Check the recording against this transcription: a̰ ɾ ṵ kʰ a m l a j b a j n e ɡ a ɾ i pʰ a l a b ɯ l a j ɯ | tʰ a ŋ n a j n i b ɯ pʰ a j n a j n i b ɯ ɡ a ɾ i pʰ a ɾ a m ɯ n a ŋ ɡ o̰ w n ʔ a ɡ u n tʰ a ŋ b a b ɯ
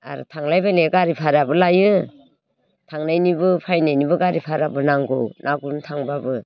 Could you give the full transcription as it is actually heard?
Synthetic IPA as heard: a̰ ɾ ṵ tʰ a ŋ l a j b a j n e ɡ a ɾ i pʰ a ɾ a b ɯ l a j ɯ | tʰ a ŋ n a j n i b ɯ pʰ a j n a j n i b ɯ ɡ a ɾ i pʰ a ɾ a b ɯ n a ŋ ɡ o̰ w n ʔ a ɡ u n tʰ a ŋ b a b ɯ